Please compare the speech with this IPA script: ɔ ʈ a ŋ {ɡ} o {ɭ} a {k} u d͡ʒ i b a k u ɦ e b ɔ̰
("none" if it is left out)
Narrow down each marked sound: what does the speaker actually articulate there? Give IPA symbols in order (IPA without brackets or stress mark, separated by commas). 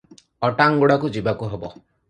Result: ɡ, ɽ, k